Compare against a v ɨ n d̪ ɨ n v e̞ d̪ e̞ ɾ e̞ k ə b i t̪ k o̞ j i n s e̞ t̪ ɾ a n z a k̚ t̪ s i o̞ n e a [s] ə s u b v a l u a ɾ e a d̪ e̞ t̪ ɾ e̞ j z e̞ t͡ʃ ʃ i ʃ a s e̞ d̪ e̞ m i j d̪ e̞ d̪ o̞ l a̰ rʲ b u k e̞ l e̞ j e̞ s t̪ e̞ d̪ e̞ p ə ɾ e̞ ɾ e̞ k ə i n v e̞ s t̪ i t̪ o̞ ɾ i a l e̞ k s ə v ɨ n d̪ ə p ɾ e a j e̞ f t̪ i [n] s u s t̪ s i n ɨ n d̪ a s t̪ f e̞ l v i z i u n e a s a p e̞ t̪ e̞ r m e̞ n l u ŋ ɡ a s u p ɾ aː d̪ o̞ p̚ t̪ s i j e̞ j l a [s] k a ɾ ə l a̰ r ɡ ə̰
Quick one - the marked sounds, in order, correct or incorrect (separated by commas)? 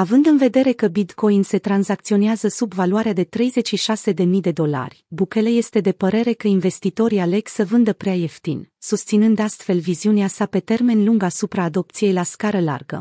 incorrect, correct, correct